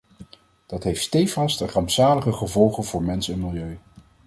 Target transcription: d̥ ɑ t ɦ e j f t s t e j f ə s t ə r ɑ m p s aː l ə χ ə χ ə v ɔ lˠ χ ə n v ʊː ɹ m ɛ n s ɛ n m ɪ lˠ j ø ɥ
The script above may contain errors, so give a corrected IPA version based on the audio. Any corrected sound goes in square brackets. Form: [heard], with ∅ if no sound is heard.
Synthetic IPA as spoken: d̥ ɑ t ɦ e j f t s t e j f [ɑ] s t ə r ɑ m p s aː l ə χ ə χ ə v ɔ lˠ χ ə n v ʊː ɹ m ɛ n s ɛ n m ɪ lˠ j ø ɥ

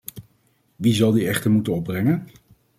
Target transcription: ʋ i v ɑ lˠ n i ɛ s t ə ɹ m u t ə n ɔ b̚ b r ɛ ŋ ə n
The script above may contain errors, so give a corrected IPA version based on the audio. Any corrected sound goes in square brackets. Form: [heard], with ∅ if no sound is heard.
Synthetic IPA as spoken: ʋ i [z] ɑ lˠ [d] i ɛ [χ] t ə ɹ m u t ə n ɔ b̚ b r ɛ ŋ ə n

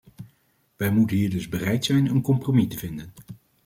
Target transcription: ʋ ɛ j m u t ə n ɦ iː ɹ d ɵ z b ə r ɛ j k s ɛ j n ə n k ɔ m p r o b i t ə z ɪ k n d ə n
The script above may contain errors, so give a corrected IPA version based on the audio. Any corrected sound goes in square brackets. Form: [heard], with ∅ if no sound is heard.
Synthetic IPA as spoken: ʋ ɛ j m u t ə n ɦ iː ɹ d ɵ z b ə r ɛ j [t] s ɛ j n ə n k ɔ m p r o [m] i t ə [v] ɪ [∅] n d ə n

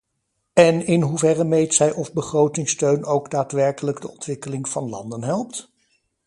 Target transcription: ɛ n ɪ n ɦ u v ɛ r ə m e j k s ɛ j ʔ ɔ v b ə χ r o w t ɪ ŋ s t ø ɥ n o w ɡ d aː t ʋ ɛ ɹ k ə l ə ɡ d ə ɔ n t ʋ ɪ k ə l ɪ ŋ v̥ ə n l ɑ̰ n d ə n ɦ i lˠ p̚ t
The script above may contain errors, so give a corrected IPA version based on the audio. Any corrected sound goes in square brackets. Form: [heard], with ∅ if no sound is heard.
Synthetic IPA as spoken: ɛ n ɪ n ɦ u v ɛ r ə m e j [t] s ɛ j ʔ ɔ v b ə χ r o w t ɪ ŋ s t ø ɥ n o w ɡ d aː t ʋ ɛ ɹ k ə l ə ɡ d ə ɔ n t ʋ ɪ k ə l ɪ ŋ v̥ [ɑ] n l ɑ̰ n d ə n ɦ [ɛ] lˠ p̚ t

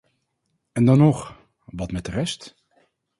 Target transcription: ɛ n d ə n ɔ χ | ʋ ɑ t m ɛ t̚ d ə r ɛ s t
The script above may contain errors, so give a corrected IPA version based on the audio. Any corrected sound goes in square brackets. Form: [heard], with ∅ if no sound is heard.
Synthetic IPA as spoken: ɛ n d [ɑ] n ɔ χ | ʋ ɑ t m ɛ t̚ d ə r ɛ s t

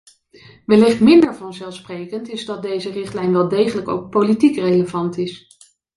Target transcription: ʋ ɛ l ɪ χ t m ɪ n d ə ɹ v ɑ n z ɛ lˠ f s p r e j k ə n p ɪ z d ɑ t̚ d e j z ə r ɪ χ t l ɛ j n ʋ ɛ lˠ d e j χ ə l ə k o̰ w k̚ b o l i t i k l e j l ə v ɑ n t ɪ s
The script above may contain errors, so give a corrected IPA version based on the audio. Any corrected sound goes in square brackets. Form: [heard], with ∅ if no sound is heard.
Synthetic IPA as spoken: ʋ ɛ l ɪ χ t m ɪ n d ə ɹ v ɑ n z ɛ lˠ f s p r e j k ə n [t] ɪ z d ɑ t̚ d e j z ə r ɪ χ t l ɛ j n ʋ ɛ lˠ d e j χ ə l ə k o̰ w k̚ [p] o l i t i k [r] e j l ə v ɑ n t ɪ s

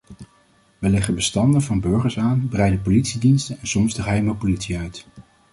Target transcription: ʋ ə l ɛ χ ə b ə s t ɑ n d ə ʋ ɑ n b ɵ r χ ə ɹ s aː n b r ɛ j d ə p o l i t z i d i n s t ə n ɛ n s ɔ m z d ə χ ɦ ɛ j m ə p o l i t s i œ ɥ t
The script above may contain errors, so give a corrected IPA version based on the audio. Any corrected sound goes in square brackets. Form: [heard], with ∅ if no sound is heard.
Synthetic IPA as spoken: ʋ ə l ɛ χ ə b ə s t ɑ n d ə [v] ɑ n b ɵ [ɹ] χ ə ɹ s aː n b r ɛ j d ə p o l i t [s] i d i n s t ə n ɛ n s ɔ m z d ə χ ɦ ɛ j m ə p o l i t s i œ ɥ t

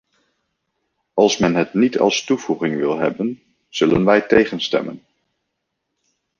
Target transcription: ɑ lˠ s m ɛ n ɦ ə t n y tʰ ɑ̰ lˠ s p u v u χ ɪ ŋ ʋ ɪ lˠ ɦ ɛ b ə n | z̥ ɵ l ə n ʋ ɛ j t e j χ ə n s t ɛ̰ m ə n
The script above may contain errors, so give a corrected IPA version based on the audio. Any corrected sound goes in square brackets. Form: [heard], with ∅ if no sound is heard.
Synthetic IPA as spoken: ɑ lˠ s m ɛ n ɦ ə t n [i] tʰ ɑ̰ lˠ s [t] u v u χ ɪ ŋ ʋ ɪ lˠ ɦ ɛ b ə n | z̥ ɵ l ə n ʋ ɛ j t e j χ ə n s t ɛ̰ m ə n

